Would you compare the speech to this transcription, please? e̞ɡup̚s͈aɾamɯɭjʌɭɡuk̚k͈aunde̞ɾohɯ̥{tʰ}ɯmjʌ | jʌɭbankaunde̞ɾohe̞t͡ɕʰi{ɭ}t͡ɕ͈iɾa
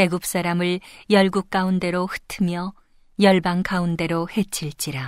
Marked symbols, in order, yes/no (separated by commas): yes, yes